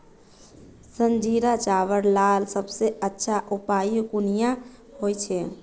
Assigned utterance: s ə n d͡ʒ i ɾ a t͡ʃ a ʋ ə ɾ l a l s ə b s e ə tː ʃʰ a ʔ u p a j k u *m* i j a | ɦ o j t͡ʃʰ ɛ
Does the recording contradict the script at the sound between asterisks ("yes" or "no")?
yes